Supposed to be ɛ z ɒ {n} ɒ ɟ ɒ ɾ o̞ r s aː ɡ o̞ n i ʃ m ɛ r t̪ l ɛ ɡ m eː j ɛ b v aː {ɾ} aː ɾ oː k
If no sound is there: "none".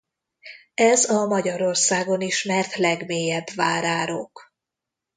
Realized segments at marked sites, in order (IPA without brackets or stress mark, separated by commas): m, ɾ